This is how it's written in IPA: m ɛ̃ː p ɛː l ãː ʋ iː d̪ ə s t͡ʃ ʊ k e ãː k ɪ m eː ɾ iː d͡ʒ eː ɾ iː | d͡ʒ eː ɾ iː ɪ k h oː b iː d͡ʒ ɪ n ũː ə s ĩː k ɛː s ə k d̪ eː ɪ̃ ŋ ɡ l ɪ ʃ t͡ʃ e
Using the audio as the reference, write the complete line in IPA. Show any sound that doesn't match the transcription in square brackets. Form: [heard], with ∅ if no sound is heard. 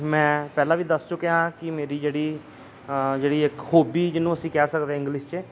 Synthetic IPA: m ɛ̃ː p ɛː l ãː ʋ iː d̪ ə s t͡ʃ ʊ k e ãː k ɪ m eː ɾ iː d͡ʒ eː [ɽ] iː | d͡ʒ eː [ɽ] iː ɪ k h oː b iː d͡ʒ ɪ n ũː ə s ĩː k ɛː s ə k d̪ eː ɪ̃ ŋ ɡ l ɪ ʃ t͡ʃ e

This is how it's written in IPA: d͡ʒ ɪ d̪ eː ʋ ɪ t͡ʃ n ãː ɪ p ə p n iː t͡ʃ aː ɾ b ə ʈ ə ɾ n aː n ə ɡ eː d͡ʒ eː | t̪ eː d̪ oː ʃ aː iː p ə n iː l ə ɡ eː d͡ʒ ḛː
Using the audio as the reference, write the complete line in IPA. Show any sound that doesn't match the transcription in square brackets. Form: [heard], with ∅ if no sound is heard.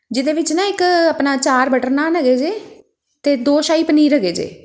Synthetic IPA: d͡ʒ ɪ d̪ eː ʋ ɪ t͡ʃ n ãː ɪ [k] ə p n [aː] t͡ʃ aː ɾ b ə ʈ ə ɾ n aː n ə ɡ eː d͡ʒ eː | t̪ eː d̪ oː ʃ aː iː p ə n iː [ɾ] ə ɡ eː d͡ʒ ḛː

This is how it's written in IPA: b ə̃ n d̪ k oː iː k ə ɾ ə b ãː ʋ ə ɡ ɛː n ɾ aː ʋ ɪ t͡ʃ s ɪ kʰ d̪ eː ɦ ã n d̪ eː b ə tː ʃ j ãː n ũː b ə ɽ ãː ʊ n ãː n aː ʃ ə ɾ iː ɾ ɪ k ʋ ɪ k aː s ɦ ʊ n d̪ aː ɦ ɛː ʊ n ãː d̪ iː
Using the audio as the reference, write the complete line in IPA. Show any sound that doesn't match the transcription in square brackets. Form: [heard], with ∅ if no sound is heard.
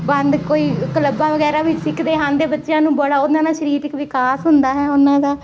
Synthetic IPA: b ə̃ n d̪ k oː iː k ə [l] ə b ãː ʋ ə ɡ ɛː [∅] ɾ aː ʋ ɪ t͡ʃ s ɪ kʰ d̪ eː ɦ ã n d̪ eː b ə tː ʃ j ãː n ũː b ə ɽ [aː] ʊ n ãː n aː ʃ ə ɾ iː ɾ ɪ k ʋ ɪ k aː s ɦ ʊ n d̪ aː ɦ ɛː ʊ n ãː d̪ [aː]

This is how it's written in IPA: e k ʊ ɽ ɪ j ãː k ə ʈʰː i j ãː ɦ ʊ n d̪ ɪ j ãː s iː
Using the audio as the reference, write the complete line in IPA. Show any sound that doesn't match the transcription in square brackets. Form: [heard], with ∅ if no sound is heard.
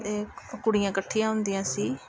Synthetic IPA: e k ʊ ɽ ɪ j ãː k ə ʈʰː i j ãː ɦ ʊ n d̪ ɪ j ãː s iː

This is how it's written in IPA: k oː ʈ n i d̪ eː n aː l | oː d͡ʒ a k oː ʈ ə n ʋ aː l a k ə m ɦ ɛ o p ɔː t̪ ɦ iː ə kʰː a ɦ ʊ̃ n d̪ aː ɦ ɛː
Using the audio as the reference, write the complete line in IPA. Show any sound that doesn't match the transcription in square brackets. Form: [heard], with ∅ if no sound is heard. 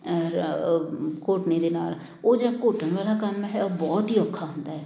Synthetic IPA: k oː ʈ n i d̪ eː n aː l | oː d͡ʒ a k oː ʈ ə n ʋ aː l a k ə m ɦ ɛ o [b] ɔː t̪ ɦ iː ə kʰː a ɦ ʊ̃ n d̪ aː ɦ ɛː

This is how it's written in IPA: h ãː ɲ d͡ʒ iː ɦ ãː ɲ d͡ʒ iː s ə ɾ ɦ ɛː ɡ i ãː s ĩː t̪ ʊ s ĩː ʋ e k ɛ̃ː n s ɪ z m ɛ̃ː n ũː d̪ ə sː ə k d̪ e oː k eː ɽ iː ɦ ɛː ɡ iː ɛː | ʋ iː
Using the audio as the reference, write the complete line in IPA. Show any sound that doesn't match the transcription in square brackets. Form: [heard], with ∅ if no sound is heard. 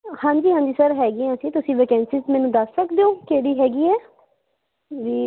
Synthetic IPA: h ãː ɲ d͡ʒ iː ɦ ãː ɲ d͡ʒ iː s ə ɾ ɦ ɛː ɡ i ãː s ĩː t̪ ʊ s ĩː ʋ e k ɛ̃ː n s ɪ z m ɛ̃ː n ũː d̪ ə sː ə k d̪ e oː k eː ɽ iː ɦ ɛː ɡ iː ɛː | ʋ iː

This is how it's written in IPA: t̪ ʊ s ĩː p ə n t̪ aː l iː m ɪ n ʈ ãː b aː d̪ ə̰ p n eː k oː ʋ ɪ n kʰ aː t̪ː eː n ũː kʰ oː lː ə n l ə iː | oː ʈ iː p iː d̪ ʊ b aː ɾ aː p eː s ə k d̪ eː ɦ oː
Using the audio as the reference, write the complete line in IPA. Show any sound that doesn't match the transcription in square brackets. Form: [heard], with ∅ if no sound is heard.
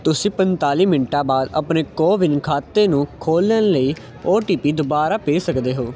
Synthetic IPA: t̪ ʊ s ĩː p ə n t̪ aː l iː m ɪ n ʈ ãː b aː d̪ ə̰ p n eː k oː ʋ ɪ n kʰ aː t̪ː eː n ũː kʰ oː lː ə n l ə iː | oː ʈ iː p iː d̪ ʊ b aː ɾ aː p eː s ə k d̪ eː ɦ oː

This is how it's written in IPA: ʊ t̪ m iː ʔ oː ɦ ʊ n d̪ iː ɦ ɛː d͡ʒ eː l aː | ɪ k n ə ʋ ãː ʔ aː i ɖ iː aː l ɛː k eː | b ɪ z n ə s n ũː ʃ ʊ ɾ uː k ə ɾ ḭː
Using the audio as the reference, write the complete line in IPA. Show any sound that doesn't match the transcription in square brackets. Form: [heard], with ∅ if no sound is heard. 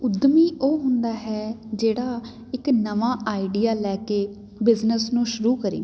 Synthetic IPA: ʊ [d̪] m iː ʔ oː ɦ ʊ n d̪ [aː] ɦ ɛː d͡ʒ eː [ɽ] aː | ɪ k n ə ʋ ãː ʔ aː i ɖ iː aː l ɛː k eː | b ɪ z n ə s n ũː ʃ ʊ ɾ uː k ə ɾ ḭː

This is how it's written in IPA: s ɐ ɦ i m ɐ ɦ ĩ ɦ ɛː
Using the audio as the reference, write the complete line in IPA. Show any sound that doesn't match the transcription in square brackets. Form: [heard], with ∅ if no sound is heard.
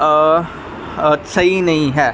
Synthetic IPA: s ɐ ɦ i [n] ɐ ɦ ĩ ɦ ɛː

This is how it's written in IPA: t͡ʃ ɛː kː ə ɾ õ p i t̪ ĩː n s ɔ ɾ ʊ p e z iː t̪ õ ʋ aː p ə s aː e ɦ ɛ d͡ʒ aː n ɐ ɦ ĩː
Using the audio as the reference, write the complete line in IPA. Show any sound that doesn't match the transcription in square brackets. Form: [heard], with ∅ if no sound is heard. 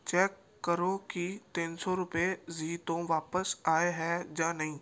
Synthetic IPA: t͡ʃ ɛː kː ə ɾ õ [k] i t̪ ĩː n s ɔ ɾ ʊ p e z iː t̪ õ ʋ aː p ə s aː e ɦ ɛ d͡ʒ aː n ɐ ɦ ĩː

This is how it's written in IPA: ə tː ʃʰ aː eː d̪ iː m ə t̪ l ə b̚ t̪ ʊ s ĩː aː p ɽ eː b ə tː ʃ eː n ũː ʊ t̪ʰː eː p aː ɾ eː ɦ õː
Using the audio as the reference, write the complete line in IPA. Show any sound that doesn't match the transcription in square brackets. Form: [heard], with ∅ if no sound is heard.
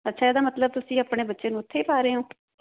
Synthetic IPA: ə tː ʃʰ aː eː d̪ [aː] m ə t̪ l ə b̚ t̪ ʊ s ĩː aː p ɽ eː b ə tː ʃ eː n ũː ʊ t̪ʰː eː p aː ɾ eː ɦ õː

